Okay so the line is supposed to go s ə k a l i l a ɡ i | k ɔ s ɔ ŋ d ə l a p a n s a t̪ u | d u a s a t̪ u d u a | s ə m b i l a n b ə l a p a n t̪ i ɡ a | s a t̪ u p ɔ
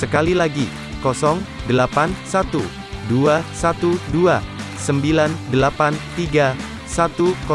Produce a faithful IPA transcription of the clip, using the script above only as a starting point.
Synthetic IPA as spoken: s ə k a l i l a ɡ i | k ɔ s ɔ ŋ d ə l a p a n s a t̪ u | d u a s a t̪ u d u a | s ə m b i l a n d ə l a p a n t̪ i ɡ a | s a t̪ u k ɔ